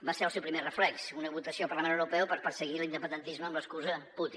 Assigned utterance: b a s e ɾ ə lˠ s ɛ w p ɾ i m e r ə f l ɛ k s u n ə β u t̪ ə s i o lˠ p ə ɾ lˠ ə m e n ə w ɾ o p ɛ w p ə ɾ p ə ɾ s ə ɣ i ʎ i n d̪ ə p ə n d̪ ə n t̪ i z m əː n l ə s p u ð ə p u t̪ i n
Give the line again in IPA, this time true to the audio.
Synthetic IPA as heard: b a s e ɾ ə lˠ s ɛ w p ɾ i m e r ə f l ɛ k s u n ə β u t̪ ə s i o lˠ p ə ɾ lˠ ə m e n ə w ɾ u p ɛ w p ə ɾ p ə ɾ s ə ɣ i l i n d̪ ə p ə n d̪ ə n t̪ i z m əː m l ə s k u z ə p u t̪ i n

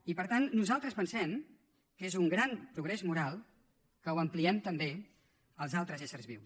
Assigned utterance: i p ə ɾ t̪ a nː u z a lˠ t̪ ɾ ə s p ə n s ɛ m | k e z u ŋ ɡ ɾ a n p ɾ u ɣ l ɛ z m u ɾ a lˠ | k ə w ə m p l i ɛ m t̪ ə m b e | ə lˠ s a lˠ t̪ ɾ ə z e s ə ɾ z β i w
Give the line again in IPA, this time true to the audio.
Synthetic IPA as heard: i p ə ɾ t̪ a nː u z a lˠ t̪ ɾ ə s p ə n s ɛ m | k e z u ŋ ɡ ɾ a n p ɾ u ɣ ɾ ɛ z m u ɾ a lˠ | k ə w ə m p l i ɛ m t̪ ə m b e | ə lˠ z a lˠ t̪ ɾ ə z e s ə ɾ z β i w

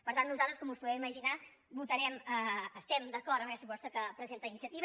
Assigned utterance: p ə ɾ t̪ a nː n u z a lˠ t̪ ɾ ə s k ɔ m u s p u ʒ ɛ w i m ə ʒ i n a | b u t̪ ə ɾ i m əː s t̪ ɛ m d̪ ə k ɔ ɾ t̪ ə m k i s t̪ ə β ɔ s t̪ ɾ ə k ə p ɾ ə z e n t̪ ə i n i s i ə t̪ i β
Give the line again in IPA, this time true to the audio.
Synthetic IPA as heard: p ə ɾ t̪ a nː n u z a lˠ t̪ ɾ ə s k ɔ m u s p u ð ɛ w i m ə ʒ i n a | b u t̪ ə ɾ ɛ m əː s t̪ ɛ m d̪ ə k ɔ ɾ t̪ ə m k ɛ s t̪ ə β ɔ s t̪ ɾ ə k ə p ɾ ə z e n t̪ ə i n i s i ə t̪ i β

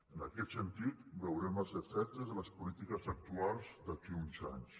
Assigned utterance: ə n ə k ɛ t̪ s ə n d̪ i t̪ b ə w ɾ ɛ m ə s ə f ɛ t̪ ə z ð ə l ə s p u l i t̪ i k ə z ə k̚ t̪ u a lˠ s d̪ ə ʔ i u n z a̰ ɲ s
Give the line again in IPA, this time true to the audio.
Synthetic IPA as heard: ə n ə k ɛ t̪ s ə n t̪ i t̪ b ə w ɾ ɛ m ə s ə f ɛ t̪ ə z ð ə l ə s p u l i t̪ i k ə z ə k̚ t̪ u a lˠ z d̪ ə k i u n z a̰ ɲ s

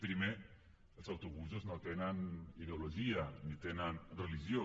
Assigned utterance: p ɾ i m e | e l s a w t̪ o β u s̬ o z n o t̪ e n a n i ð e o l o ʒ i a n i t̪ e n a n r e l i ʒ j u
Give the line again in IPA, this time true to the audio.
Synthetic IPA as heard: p ɾ i m e | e l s a w t̪ o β u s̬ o z n o t̪ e n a n i ð e o l o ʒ i a n i t̪ e n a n r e l i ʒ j o

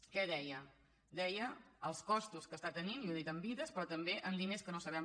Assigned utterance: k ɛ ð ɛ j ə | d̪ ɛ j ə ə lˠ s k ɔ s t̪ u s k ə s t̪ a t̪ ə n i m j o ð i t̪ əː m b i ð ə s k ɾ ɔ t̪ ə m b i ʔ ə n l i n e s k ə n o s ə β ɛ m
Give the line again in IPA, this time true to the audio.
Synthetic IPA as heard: k ɛ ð ɛ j ə | d̪ ɛ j ə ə lˠ s k ɔ s t̪ u s k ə s t̪ a t̪ ə n i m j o ð i t̪ ə m b i ð ə s p ɾ ɔ t̪ ə m b e ʔ ə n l i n e s k ə n o s ə β ɛ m

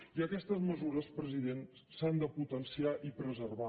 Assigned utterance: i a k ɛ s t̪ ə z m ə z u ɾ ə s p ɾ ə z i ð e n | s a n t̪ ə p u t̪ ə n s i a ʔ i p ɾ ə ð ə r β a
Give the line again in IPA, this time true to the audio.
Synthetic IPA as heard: i ə k ɛ s t̪ ə z m ə z u ɾ ə s p ɾ ə z i ð e n | s a n d̪ ə p u t̪ ə n s i a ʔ i p ɾ ə z ə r β a

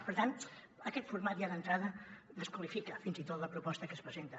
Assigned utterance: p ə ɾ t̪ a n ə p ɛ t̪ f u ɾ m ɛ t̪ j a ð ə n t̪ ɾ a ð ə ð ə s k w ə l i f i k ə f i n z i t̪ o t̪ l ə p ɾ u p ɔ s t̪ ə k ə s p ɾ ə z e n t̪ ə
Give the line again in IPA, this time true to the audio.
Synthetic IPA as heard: p ə ɾ t̪ a n ə k ɛ t̪ f u ɾ m a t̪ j a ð ə n t̪ ɾ a ð ə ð ə s k w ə l i f i k ə f i n z i t̪ o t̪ l ə p ɾ u p ɔ s t̪ ə k ə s p ɾ ə z e n t̪ ə

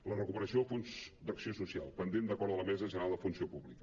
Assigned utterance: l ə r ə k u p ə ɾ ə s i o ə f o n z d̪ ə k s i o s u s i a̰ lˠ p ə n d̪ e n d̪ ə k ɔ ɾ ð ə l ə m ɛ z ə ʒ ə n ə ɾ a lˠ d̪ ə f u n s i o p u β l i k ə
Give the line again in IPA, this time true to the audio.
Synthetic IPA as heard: l ə r ə k u p ə ɾ ə s i o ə f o n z d̪ ə k s i o s u s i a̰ lˠ p ə n d̪ e n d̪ ə k ɔ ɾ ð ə l ə m ɛ z ə ʒ ə n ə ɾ a lˠ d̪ ə f u n s i o p u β l i k ə

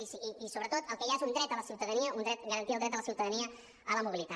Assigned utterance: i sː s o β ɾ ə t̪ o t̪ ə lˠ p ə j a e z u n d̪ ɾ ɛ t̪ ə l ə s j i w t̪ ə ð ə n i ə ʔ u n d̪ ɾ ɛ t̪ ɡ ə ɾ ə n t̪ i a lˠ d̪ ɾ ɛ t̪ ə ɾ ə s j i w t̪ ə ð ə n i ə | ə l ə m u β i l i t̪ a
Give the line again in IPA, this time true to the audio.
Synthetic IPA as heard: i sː s o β ɾ ə t̪ o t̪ ə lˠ k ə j a e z u n d̪ ɾ ɛ t̪ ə l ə s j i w t̪ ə ð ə n i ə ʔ u n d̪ ɾ ɛ t̪ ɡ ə ɾ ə n t̪ i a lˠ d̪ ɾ ɛ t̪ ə l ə s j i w t̪ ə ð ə n i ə | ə l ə m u β i l i t̪ a

